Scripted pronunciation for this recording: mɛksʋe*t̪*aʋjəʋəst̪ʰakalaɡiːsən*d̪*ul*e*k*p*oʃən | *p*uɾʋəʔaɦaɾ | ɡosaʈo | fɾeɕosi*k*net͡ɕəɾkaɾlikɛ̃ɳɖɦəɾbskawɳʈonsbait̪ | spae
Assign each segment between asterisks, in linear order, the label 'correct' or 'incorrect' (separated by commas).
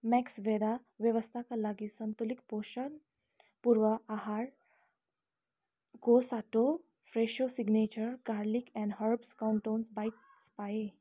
incorrect, incorrect, incorrect, correct, correct, incorrect